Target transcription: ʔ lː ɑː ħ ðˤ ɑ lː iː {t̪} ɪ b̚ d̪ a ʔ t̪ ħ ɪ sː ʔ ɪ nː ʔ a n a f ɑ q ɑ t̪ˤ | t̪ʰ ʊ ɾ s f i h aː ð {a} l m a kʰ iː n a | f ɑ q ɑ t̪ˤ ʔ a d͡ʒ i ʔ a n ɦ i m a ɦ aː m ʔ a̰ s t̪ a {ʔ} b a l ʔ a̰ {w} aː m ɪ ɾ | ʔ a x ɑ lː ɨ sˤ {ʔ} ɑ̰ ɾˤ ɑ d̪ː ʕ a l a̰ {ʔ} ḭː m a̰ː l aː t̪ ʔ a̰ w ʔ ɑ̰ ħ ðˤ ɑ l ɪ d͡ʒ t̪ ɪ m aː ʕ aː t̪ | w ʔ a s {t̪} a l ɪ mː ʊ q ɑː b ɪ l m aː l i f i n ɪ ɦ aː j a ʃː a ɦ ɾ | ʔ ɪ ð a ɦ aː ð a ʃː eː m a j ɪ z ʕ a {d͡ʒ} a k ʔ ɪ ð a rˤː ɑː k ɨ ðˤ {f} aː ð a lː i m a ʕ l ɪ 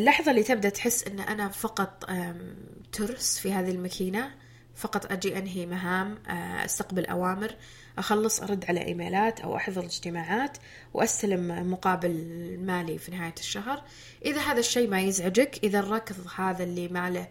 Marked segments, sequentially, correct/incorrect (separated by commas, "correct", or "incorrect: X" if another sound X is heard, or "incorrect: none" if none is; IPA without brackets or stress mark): correct, incorrect: i, incorrect: q, correct, correct, correct, correct, correct, incorrect: h